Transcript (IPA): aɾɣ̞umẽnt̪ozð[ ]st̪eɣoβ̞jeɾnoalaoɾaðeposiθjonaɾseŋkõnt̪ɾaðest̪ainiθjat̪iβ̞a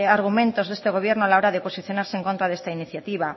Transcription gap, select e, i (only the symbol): e